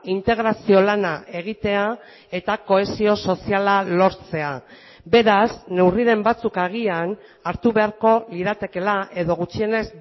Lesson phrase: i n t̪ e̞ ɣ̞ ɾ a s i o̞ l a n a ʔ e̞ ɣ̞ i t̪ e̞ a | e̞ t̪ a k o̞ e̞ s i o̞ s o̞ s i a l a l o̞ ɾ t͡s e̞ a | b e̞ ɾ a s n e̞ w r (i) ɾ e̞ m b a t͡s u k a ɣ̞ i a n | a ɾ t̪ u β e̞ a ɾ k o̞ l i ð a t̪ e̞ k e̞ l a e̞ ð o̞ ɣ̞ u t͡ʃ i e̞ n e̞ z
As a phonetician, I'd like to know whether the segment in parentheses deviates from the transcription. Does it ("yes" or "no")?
no